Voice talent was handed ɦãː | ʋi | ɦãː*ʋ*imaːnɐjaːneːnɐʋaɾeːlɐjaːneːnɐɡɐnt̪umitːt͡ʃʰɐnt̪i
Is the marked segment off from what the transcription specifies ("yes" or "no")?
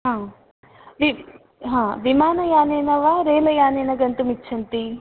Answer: no